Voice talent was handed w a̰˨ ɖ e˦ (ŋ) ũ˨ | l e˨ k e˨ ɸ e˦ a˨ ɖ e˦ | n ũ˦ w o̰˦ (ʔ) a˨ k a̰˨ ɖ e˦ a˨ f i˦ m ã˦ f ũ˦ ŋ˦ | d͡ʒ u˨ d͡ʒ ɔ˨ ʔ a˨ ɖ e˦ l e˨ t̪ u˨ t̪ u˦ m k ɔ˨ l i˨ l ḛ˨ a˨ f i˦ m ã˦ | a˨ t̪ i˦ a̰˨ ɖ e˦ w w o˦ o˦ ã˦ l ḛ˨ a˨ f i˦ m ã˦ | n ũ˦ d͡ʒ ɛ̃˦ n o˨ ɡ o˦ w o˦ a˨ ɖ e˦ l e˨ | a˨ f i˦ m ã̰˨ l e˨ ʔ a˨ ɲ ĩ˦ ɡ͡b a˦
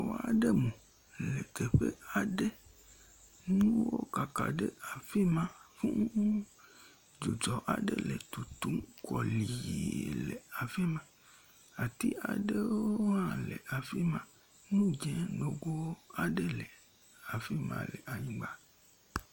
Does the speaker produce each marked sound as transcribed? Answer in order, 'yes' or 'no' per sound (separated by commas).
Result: no, no